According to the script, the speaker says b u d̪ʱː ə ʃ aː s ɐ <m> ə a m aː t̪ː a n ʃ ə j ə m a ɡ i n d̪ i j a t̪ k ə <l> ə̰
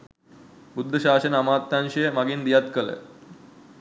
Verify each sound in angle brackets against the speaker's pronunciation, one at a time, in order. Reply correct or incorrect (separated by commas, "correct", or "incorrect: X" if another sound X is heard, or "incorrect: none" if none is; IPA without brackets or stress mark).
incorrect: n, correct